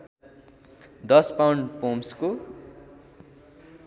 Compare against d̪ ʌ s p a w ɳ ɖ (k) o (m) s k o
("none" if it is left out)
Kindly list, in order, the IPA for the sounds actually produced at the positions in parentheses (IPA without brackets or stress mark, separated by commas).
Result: p, m